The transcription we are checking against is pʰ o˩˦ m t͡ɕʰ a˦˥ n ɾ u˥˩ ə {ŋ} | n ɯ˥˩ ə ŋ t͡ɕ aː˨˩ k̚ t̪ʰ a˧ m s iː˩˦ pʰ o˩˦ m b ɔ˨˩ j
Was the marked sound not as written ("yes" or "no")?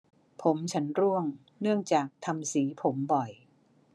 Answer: no